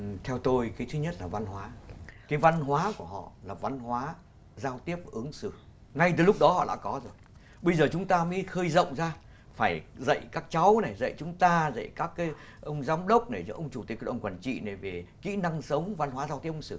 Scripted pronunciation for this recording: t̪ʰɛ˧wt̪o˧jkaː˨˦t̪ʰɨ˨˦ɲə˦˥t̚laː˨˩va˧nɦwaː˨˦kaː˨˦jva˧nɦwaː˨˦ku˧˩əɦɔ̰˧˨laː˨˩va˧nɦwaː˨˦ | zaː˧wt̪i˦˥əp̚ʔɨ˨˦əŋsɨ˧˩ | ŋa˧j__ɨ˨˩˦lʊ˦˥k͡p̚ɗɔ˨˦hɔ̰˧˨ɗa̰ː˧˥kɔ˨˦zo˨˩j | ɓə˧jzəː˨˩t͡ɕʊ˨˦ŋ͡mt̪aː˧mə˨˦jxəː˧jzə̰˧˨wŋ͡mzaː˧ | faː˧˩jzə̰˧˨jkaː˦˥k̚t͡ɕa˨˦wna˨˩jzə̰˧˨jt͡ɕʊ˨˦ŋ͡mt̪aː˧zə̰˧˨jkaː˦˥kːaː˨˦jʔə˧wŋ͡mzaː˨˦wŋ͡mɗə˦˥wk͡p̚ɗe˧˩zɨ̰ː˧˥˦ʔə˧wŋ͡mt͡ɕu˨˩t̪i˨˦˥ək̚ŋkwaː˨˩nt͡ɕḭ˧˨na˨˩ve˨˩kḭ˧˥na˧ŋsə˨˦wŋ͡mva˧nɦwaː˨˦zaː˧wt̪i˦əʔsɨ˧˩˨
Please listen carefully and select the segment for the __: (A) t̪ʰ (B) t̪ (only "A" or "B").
B